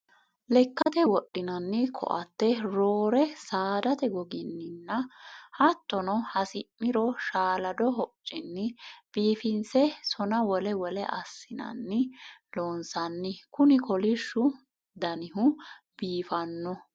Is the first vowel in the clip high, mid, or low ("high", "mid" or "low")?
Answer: mid